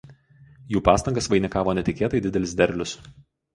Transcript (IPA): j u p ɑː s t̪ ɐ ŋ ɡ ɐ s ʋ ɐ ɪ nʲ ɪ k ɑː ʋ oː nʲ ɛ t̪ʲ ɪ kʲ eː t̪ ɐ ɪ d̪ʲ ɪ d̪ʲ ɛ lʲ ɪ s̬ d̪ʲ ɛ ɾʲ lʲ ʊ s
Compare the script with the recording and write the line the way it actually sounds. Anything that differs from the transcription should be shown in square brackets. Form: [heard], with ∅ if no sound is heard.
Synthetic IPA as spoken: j [uː] p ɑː s t̪ ɐ ŋ ɡ ɐ s ʋ ɐ ɪ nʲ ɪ k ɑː ʋ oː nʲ ɛ t̪ʲ ɪ kʲ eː t̪ ɐ ɪ d̪ʲ ɪ d̪ʲ ɛ lʲ ɪ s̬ d̪ʲ ɛ ɾʲ lʲ ʊ s